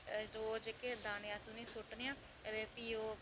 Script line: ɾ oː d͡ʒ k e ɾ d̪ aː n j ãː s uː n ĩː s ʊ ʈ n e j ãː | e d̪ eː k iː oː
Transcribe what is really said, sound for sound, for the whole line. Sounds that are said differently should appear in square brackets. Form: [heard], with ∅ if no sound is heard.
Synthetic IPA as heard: ɾ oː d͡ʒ k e [∅] d̪ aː n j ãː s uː n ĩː s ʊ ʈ n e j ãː | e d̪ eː [p] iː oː